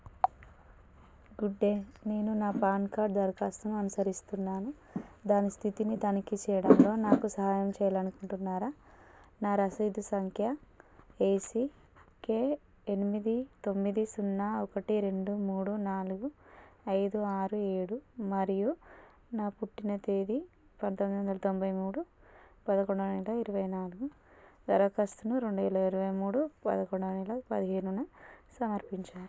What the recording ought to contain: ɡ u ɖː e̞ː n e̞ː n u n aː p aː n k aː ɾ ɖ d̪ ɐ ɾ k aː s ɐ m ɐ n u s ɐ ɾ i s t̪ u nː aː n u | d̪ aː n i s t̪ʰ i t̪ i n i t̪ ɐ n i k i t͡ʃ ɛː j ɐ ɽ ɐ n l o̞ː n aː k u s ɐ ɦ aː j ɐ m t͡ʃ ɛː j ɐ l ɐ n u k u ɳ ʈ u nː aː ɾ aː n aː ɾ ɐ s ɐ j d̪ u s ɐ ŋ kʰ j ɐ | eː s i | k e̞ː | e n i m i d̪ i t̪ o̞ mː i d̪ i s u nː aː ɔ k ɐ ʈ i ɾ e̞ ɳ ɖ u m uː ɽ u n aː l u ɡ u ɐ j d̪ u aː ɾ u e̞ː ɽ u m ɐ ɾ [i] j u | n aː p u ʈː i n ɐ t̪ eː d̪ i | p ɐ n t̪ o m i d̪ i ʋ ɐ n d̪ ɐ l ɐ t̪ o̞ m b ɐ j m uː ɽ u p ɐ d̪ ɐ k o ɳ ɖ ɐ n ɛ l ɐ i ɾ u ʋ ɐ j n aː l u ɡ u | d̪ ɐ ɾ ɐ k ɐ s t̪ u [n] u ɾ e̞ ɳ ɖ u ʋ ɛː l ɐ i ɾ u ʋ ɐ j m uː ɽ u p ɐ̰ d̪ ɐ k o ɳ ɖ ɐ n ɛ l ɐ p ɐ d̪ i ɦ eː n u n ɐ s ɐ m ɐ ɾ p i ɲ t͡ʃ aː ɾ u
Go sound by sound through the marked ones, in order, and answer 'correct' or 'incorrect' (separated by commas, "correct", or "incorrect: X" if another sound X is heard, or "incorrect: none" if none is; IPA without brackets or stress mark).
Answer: correct, correct